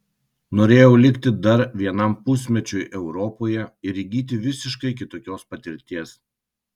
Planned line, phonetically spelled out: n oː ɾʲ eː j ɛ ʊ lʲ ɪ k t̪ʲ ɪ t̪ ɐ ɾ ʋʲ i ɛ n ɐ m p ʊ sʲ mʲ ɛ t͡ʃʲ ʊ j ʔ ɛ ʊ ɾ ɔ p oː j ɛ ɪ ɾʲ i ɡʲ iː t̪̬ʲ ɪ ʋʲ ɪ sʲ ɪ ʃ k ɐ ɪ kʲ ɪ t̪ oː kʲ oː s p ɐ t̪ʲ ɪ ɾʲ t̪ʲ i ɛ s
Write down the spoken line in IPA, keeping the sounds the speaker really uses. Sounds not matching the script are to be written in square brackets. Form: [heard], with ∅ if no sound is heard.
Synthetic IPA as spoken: n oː ɾʲ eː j ɛ ʊ lʲ ɪ k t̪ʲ ɪ [d̪] ɐ ɾ ʋʲ i ɛ n ɐ m p ʊ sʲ mʲ ɛ t͡ʃʲ ʊ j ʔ ɛ ʊ ɾ ɔ p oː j ɛ ɪ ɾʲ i ɡʲ iː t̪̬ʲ ɪ ʋʲ ɪ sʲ ɪ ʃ k ɐ ɪ kʲ ɪ t̪ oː kʲ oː s p ɐ t̪ʲ ɪ ɾʲ t̪ʲ i ɛ s

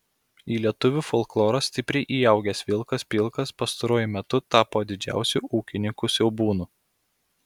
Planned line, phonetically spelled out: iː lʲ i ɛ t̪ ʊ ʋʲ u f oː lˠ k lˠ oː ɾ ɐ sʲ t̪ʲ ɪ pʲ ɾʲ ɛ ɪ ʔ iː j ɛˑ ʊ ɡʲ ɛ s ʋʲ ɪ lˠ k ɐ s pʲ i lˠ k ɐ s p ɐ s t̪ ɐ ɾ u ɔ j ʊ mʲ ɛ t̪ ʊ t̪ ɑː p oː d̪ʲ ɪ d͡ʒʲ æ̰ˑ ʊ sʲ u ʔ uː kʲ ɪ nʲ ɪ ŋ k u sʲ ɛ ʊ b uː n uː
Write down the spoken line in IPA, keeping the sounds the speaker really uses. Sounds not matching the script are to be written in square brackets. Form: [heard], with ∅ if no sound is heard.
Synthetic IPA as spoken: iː lʲ i ɛ t̪ ʊ ʋʲ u f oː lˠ k lˠ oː ɾ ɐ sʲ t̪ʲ ɪ pʲ ɾʲ ɛ ɪ ʔ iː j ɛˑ ʊ ɡʲ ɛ s ʋʲ ɪ lˠ k ɐ s pʲ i lˠ k ɐ s p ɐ s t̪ ɐ ɾ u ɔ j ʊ mʲ ɛ t̪ ʊ t̪ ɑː p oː d̪ʲ ɪ d͡ʒʲ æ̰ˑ ʊ sʲ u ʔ uː kʲ ɪ nʲ ɪ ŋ k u sʲ ɛ ʊ b uː n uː

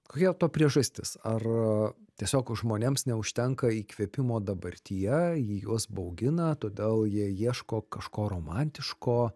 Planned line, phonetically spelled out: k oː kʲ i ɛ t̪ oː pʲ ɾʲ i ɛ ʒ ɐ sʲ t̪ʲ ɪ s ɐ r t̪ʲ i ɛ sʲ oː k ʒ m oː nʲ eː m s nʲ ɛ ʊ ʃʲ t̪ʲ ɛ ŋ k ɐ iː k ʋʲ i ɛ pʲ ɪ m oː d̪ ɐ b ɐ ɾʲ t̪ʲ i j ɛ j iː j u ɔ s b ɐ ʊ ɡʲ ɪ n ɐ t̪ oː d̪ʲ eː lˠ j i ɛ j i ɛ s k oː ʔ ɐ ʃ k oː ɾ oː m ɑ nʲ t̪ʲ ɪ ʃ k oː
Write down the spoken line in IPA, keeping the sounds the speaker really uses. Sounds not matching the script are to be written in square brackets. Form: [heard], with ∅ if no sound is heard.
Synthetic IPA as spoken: k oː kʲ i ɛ t̪ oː pʲ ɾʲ i ɛ ʒ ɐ sʲ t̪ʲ ɪ s ɐ r t̪ʲ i ɛ sʲ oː k ʒ m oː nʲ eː m s nʲ ɛ ʊ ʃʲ t̪ʲ ɛ ŋ k ɐ iː k ʋʲ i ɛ pʲ ɪ m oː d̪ ɐ b ɐ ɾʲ t̪ʲ i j ɛ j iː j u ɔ s b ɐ ʊ ɡʲ ɪ n ɐ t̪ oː d̪ʲ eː lˠ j i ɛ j i ɛ [ʃ] k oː [k] ɐ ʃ k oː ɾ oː m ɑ nʲ t̪ʲ ɪ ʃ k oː

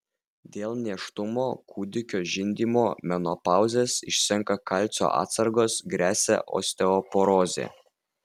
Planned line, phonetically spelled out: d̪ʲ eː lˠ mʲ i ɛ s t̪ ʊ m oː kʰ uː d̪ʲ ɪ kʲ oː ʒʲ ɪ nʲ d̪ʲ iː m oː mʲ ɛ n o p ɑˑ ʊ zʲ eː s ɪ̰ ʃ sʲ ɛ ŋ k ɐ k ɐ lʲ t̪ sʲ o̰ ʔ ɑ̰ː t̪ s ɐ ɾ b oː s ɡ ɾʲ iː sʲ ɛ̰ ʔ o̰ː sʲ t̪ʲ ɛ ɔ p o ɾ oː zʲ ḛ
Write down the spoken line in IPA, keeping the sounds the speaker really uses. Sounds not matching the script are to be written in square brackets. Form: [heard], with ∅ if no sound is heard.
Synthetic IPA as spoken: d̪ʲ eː lˠ [nʲ] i ɛ [ʃ] t̪ ʊ m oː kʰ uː d̪ʲ ɪ kʲ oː ʒʲ ɪ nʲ d̪ʲ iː m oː mʲ ɛ n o p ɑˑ ʊ zʲ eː s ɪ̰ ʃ sʲ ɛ ŋ k ɐ k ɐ lʲ t̪ sʲ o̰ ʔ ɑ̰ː t̪ s ɐ ɾ [ɡ] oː s ɡ ɾʲ [æː] sʲ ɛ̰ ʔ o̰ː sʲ t̪ʲ ɛ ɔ p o ɾ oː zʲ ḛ

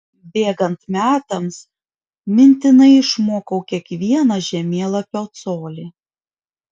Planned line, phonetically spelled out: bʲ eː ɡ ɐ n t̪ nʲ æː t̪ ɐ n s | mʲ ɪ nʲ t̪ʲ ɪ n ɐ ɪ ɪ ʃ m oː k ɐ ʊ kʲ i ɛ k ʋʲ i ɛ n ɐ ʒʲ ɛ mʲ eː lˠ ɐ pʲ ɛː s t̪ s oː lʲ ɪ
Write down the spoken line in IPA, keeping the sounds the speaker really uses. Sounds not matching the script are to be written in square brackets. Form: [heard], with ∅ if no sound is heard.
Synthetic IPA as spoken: bʲ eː ɡ ɐ n t̪ [mʲ] æː t̪ ɐ [m] s | mʲ ɪ nʲ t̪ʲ ɪ n ɐ ɪ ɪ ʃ m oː k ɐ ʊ kʲ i ɛ k ʋʲ i ɛ n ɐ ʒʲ ɛ mʲ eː lˠ ɐ pʲ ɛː [∅] t̪ s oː lʲ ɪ

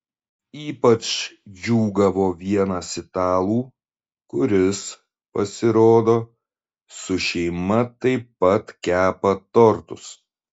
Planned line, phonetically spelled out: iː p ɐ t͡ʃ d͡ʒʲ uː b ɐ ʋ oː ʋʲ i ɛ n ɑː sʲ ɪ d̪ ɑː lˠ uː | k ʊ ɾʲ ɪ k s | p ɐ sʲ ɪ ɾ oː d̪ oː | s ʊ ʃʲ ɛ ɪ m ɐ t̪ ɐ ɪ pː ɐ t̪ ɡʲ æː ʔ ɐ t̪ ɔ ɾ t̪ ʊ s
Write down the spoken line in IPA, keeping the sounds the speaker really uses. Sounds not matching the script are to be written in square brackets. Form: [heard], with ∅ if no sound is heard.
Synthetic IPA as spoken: iː p ɐ t͡ʃ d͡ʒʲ uː [ɡ] ɐ ʋ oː ʋʲ i ɛ n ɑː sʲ ɪ [t̪] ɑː lˠ uː | k ʊ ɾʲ ɪ [∅] s | p ɐ sʲ ɪ ɾ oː d̪ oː | s ʊ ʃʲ ɛ ɪ m ɐ t̪ ɐ ɪ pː ɐ t̪ [kʲ] æː [p] ɐ t̪ ɔ ɾ t̪ ʊ s

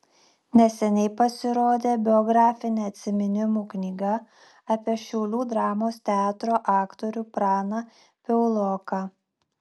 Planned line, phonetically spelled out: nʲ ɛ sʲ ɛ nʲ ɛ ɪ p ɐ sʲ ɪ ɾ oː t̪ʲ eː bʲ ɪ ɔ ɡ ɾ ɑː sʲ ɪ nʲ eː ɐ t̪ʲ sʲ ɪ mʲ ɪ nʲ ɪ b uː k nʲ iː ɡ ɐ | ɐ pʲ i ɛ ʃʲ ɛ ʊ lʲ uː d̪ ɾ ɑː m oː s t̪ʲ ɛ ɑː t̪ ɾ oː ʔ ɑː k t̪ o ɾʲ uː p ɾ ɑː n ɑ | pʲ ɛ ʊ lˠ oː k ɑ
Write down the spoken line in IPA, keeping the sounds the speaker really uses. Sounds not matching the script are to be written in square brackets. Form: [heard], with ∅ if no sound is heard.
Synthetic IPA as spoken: nʲ ɛ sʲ ɛ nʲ ɛ ɪ p ɐ sʲ ɪ ɾ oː [d̪ʲ] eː bʲ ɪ ɔ ɡ ɾ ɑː [fʲ] ɪ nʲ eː ɐ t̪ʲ sʲ ɪ mʲ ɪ nʲ ɪ [m] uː k nʲ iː ɡ ɐ | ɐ pʲ i ɛ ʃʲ ɛ ʊ lʲ uː d̪ ɾ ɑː m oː s t̪ʲ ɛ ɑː t̪ ɾ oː ʔ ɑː k t̪ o ɾʲ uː p ɾ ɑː n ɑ | pʲ ɛ ʊ lˠ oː k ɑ

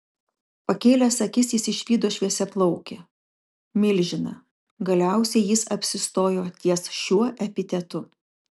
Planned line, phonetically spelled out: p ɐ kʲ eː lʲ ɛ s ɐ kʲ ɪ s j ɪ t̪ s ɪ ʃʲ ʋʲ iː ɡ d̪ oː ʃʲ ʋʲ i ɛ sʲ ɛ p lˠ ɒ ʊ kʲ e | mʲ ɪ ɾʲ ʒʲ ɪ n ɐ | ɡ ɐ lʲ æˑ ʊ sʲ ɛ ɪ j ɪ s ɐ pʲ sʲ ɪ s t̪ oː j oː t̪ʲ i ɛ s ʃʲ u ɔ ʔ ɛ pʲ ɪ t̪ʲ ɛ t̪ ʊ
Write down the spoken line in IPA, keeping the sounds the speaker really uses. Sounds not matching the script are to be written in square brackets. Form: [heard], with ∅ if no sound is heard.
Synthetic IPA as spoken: p ɐ kʲ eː lʲ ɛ s ɐ kʲ ɪ s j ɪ [∅] s ɪ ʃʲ ʋʲ iː [∅] d̪ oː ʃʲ ʋʲ i ɛ sʲ ɛ p lˠ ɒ ʊ kʲ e | mʲ ɪ [lʲ] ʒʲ ɪ n ɐ | ɡ ɐ lʲ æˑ ʊ sʲ ɛ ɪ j ɪ s ɐ pʲ sʲ ɪ s t̪ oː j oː t̪ʲ i ɛ s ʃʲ u ɔ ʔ ɛ pʲ ɪ t̪ʲ ɛ t̪ ʊ

